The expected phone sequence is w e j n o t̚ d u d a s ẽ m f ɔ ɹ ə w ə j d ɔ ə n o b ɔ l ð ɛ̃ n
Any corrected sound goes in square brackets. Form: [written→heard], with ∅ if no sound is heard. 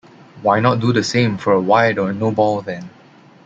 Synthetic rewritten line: w [e→a] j n [o→ɔ] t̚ d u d [a→ə] s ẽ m f ɔ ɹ ə w [ə→a] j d ɔ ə n o b ɔ l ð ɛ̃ n